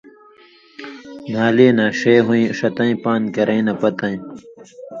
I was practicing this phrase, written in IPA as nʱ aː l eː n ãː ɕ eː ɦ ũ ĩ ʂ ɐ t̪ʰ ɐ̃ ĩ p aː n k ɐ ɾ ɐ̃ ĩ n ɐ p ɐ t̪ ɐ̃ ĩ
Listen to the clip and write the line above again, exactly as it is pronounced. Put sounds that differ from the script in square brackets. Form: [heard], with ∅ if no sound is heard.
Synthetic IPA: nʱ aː l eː n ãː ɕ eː ɦ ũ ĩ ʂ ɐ [t̪] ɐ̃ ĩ p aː n k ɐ ɾ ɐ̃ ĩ n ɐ p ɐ t̪ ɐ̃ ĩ